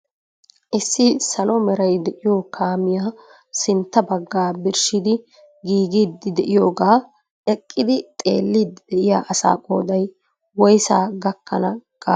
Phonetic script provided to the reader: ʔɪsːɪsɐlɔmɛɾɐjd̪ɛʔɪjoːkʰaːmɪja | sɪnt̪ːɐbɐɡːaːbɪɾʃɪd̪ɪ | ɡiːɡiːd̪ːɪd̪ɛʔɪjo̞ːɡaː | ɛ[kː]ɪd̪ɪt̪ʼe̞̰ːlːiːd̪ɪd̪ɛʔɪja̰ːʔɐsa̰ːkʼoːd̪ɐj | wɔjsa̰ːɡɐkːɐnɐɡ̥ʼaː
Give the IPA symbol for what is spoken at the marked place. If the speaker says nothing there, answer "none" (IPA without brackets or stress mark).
kʼː